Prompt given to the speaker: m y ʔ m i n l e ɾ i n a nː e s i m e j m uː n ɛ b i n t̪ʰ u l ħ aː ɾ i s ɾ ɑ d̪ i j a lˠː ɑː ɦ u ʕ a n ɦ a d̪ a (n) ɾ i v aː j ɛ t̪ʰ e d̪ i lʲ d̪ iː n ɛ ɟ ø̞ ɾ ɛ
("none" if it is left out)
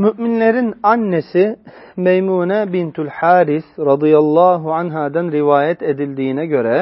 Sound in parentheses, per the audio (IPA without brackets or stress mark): n